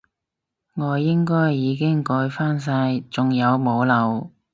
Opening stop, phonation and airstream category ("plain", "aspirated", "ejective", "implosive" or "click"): plain